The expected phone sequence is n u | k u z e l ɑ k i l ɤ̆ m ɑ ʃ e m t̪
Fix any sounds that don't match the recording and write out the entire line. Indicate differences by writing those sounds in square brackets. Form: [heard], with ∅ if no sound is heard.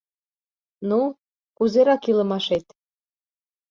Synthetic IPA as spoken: n u | k u z e [ɾ] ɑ k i l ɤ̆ m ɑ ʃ e [∅] t̪